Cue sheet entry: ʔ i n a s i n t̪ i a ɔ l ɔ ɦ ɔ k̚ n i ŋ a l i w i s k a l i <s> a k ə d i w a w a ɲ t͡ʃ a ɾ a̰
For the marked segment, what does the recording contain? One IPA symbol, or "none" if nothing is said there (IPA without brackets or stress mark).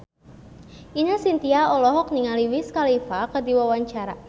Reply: f